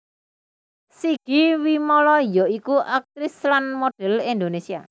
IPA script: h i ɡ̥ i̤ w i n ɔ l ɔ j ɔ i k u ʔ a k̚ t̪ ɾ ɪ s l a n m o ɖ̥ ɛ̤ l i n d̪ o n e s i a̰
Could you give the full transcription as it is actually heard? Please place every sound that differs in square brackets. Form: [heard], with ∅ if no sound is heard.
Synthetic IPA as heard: [s] i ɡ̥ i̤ w i [m] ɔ l ɔ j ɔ i k u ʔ a k̚ t̪ ɾ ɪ s l a n m o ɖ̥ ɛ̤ l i n d̪ o n e s i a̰